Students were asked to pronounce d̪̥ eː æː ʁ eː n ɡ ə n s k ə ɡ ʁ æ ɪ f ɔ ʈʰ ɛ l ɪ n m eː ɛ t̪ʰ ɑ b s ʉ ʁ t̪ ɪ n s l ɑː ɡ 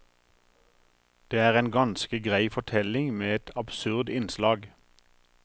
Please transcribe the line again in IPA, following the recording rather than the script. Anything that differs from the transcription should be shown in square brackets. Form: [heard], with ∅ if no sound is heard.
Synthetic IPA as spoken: d̪̥ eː æː ʁ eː n ɡ [ɑ] n s k ə ɡ ʁ æ ɪ f ɔ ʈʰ ɛ l ɪ [ŋ] m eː ɛ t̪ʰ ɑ b s ʉ ʁ [d̪] ɪ n s l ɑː ɡ